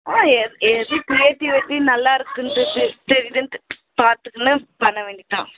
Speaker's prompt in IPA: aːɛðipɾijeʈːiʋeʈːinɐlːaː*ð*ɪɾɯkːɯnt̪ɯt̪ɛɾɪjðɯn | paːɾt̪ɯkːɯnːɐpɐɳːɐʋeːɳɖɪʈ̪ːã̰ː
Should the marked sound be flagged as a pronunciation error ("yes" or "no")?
yes